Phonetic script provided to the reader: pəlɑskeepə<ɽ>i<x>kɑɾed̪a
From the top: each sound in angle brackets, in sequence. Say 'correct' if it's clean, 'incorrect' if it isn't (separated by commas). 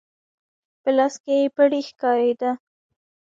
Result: correct, correct